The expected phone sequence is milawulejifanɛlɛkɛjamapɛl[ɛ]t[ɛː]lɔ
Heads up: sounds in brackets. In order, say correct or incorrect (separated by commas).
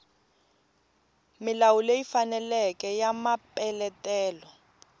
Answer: correct, correct